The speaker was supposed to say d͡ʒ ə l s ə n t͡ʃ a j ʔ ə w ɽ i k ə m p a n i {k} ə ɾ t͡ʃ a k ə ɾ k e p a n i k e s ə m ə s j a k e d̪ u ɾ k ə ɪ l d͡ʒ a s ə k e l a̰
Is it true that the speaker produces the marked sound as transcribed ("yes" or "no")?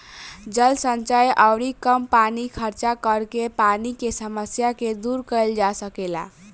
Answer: no